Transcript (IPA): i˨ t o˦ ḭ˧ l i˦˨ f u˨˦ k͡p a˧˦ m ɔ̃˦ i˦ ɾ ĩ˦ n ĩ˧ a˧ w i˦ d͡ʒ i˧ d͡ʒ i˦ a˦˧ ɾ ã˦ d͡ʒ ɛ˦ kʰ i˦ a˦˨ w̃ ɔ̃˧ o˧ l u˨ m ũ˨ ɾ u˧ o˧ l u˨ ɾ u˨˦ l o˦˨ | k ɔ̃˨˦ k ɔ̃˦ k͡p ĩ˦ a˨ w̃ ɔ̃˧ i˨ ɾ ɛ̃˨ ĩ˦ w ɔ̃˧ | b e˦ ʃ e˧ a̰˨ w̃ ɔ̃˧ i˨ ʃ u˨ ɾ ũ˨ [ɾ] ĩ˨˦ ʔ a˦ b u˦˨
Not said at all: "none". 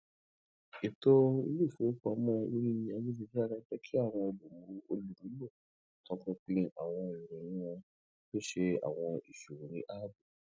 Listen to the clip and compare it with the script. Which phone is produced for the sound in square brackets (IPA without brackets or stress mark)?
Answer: ɾ